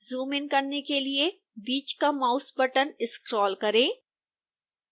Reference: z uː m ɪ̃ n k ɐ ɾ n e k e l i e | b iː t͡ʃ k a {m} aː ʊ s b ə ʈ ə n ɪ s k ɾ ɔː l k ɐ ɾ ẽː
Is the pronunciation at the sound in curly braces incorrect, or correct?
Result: correct